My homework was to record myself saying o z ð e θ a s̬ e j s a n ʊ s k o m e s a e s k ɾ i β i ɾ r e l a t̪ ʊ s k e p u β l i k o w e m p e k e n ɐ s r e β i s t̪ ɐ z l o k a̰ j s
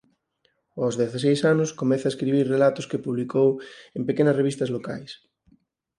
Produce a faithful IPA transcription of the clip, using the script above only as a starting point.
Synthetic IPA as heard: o z ð e θ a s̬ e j s a n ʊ s k o m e θ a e s k ɾ i β i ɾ r e l a t̪ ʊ s k e p u β l i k o w e m p e k e n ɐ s r e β i s t̪ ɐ z l o k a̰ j s